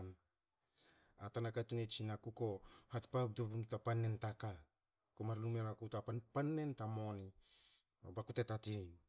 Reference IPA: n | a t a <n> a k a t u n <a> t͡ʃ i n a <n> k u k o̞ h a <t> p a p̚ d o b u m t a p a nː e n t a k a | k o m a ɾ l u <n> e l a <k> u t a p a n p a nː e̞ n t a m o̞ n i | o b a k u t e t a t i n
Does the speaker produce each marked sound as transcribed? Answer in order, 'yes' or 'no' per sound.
yes, no, no, yes, no, yes

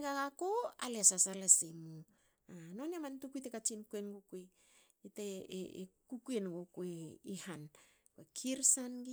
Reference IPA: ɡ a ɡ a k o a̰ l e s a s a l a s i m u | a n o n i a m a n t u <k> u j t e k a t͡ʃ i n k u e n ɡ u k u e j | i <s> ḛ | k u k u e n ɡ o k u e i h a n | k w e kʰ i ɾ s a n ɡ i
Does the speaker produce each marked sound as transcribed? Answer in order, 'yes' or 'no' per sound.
yes, no

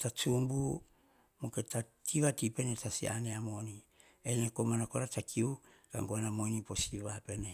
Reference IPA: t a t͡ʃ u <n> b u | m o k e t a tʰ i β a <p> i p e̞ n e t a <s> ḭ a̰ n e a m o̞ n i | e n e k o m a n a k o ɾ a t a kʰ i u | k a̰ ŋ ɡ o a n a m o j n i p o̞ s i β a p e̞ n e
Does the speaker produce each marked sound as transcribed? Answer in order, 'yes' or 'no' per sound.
no, no, yes

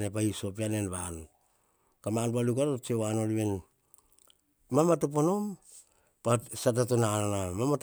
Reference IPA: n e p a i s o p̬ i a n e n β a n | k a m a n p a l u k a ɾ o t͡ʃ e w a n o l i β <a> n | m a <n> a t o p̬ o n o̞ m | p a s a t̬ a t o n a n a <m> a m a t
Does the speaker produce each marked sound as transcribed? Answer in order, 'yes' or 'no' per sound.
no, no, yes

